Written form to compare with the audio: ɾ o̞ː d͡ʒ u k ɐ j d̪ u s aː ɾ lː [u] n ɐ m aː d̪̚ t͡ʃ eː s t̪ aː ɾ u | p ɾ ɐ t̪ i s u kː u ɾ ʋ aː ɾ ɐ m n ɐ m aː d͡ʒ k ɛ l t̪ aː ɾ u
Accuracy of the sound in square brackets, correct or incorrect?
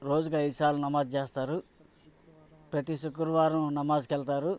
correct